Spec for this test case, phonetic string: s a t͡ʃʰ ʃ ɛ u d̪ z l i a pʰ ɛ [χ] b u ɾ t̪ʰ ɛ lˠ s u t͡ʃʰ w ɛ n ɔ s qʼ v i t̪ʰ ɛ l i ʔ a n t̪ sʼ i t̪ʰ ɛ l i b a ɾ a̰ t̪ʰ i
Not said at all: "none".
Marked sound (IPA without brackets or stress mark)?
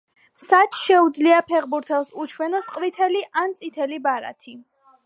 ʁ